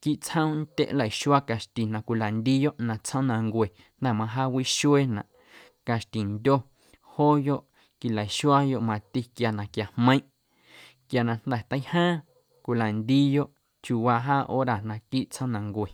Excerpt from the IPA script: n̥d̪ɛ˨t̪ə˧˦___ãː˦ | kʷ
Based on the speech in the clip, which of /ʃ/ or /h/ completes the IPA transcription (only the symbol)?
h